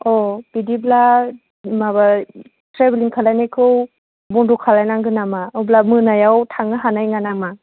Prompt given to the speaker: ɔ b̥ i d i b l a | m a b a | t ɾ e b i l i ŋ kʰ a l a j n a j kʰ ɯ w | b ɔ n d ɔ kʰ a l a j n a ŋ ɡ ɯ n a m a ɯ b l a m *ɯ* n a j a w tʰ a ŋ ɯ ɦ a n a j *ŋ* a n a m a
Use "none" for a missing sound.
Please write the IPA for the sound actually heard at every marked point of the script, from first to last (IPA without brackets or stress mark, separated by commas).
ɯ, ŋ